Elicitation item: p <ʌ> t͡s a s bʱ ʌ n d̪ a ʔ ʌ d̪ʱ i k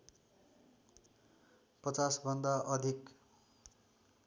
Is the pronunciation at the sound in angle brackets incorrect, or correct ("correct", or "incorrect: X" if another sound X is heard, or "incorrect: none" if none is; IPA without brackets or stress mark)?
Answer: correct